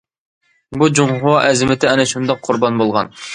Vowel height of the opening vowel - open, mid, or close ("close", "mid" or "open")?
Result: close